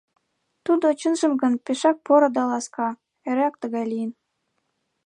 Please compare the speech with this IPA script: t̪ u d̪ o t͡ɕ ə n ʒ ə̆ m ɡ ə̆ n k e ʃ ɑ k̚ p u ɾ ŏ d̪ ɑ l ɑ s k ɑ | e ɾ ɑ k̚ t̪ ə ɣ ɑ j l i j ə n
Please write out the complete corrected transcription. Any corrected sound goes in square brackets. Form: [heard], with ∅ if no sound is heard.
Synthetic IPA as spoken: t̪ u d̪ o t͡ɕ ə n ʒ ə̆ m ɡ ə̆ n [p] e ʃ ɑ k̚ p [o] ɾ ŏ d̪ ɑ l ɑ s k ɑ | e ɾ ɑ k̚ t̪ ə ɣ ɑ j l i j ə n